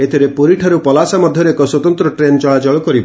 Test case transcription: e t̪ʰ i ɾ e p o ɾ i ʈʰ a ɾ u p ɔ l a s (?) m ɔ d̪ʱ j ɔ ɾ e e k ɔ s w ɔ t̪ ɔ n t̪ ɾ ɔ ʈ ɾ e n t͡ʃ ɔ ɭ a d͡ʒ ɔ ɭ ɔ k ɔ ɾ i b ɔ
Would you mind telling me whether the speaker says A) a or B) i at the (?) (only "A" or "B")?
A